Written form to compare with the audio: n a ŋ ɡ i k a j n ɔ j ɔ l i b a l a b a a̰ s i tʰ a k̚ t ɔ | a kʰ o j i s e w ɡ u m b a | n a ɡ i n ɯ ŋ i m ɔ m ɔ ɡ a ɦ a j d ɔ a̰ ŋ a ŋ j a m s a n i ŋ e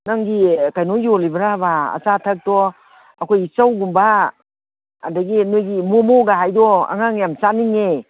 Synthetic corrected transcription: n a ŋ ɡ i k a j n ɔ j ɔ l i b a ɾ a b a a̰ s a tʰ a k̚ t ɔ | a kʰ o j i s a w ɡ u m b a | d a ɡ i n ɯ ɡ i m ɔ m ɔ ɡ a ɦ a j d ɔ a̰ ŋ a ŋ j a m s a n i ŋ e